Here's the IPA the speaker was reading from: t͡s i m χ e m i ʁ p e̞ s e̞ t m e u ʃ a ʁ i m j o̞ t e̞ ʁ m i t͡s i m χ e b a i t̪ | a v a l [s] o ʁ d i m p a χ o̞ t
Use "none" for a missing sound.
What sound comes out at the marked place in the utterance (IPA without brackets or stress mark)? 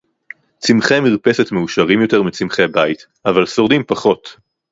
s